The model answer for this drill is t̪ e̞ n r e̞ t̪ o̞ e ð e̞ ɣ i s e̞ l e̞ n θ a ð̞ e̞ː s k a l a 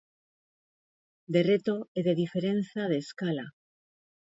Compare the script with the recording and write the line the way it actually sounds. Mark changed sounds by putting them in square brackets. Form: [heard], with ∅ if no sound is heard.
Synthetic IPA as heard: [d̪] e̞ [∅] r e̞ t̪ o̞ e ð e̞ [ð] i [f] e̞ [ɾ] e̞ n θ a ð̞ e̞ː s k a l a